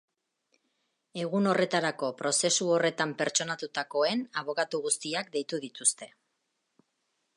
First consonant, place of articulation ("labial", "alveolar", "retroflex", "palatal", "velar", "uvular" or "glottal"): velar